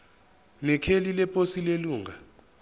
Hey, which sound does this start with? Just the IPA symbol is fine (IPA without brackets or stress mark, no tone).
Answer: n